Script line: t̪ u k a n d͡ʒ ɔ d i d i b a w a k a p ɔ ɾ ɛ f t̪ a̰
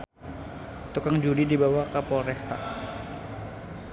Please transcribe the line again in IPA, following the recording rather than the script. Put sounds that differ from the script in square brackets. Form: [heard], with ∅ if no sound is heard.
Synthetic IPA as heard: t̪ u k a [ŋ] d͡ʒ [u] d i d i b a w a k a p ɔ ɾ ɛ [s] t̪ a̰